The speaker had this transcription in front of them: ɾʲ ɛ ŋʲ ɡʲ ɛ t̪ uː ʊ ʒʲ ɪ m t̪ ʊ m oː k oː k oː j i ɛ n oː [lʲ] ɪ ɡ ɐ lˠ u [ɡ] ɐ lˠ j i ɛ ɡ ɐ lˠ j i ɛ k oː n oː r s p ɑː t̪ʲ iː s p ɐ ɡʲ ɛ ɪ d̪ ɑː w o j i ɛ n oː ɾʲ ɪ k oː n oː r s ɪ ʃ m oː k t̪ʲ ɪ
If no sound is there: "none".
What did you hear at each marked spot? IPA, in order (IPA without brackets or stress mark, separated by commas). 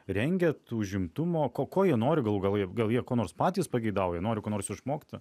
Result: ɾʲ, ɡ